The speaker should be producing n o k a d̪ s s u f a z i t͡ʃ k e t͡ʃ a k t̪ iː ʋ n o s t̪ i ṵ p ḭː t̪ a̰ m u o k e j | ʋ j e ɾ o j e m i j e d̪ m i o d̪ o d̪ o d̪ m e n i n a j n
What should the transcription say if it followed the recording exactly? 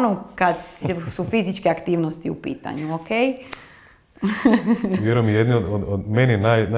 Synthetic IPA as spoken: n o k a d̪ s s u f i z i t͡ʃ k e a k t̪ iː ʋ n o s t̪ i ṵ p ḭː t̪ a̰ ɲ u o k e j | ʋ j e ɾ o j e m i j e d̪ n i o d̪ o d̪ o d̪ m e n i n a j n